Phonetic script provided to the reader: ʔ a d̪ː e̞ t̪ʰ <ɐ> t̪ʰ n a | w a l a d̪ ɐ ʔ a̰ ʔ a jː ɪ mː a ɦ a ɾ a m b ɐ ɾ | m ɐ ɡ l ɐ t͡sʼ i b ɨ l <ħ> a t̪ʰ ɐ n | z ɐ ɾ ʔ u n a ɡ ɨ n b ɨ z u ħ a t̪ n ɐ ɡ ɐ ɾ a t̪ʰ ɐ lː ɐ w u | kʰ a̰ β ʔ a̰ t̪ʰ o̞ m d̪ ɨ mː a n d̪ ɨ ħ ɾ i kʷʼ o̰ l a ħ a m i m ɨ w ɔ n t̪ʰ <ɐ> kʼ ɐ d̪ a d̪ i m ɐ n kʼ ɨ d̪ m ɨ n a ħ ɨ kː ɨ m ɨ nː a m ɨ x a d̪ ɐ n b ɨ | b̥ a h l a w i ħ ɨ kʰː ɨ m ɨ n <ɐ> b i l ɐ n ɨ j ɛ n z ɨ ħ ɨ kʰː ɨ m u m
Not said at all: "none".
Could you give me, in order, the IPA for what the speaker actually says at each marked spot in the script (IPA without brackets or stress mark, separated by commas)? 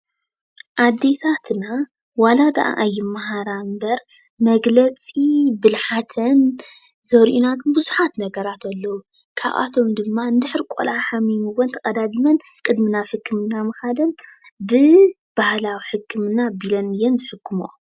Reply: a, ħ, ɐ, a